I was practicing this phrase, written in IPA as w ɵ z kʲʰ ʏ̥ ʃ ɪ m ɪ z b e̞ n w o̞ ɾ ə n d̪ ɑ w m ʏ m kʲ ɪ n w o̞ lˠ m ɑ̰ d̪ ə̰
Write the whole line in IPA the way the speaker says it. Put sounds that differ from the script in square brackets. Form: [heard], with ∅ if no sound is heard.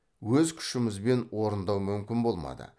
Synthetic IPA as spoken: w ɵ z kʲʰ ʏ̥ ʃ ɪ m ɪ z b e̞ n w o̞ ɾ ə n d̪ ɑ w m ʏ m kʲ ɪ n [b] o̞ lˠ m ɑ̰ d̪ ə̰